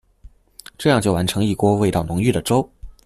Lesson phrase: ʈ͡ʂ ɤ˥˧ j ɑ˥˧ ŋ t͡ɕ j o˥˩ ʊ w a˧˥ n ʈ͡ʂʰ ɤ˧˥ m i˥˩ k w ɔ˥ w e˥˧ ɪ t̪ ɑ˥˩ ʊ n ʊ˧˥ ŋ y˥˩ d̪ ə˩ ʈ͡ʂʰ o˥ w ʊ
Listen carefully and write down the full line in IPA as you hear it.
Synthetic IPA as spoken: ʈ͡ʂ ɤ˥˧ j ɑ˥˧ ŋ t͡ɕ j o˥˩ ʊ w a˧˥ n ʈ͡ʂʰ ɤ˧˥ ŋ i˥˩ k w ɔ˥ w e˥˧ ɪ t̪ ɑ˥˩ ʊ n ʊ˧˥ ŋ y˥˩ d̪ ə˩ ʈ͡ʂ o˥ ʊ